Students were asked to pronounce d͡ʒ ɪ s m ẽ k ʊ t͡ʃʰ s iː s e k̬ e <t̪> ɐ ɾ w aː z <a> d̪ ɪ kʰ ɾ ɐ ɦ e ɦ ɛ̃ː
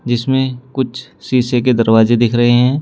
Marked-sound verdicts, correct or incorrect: incorrect: d̪, incorrect: e

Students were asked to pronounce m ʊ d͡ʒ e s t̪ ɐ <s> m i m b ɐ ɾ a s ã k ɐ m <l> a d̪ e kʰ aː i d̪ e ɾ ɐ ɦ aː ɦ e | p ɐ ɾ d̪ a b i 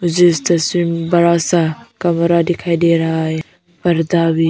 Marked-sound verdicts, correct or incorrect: correct, incorrect: ɾ

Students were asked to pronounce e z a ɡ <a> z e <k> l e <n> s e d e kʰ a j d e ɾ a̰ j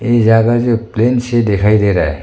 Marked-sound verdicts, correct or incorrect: correct, incorrect: p, correct

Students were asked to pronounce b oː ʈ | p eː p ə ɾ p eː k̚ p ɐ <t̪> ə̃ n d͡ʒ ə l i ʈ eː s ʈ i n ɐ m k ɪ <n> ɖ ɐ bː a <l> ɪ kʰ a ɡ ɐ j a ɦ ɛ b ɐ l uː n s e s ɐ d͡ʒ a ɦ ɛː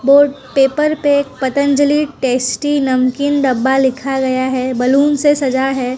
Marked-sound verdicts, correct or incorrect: correct, correct, correct

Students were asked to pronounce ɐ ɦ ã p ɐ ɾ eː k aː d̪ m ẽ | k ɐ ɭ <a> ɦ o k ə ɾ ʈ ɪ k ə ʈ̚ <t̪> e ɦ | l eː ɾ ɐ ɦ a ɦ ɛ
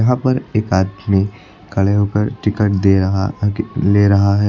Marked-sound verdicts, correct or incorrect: incorrect: e, incorrect: d̪

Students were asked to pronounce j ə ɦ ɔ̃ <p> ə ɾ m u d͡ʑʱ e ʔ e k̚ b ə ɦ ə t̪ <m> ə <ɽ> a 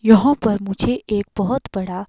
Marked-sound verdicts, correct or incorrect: correct, incorrect: b, correct

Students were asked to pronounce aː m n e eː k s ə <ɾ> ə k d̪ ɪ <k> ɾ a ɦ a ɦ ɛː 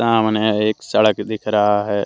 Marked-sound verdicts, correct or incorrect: incorrect: ɽ, incorrect: kʰ

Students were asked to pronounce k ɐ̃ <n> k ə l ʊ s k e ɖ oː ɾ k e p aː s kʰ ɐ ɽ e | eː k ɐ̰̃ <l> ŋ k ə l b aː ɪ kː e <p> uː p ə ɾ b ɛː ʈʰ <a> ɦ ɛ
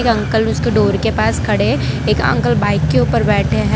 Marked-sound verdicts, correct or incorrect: incorrect: ŋ, incorrect: none, incorrect: none, incorrect: e

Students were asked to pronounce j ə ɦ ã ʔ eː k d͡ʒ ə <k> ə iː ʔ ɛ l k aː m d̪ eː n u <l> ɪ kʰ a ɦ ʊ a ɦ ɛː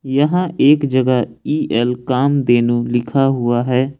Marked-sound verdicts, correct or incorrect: incorrect: ɡ, correct

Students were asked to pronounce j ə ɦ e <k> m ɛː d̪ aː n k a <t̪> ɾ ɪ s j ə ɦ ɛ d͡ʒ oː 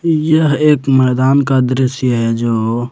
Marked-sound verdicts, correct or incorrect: correct, incorrect: d̪

